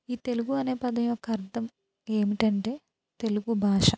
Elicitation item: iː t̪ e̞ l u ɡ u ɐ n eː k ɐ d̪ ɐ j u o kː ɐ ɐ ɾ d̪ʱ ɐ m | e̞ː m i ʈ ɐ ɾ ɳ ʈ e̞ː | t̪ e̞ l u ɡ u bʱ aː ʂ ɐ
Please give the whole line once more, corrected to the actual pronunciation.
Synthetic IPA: iː t̪ e̞ l u ɡ u ɐ n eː p ɐ d̪ ɐ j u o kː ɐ ɐ ɾ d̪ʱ ɐ m | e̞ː m i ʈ ɐ ɳ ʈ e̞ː | t̪ e̞ l u ɡ u bʱ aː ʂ ɐ

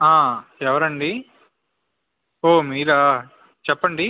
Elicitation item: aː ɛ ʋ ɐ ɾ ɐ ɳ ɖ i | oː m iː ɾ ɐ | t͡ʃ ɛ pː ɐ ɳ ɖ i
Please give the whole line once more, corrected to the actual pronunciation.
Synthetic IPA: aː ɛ ʋ ɐ ɾ ɐ ɳ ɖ i | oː m iː ɾ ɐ | t͡ʃ ɛ pː ɐ ɳ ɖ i

